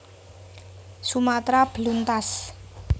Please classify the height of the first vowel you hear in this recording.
high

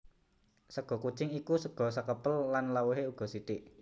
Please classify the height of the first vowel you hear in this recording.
mid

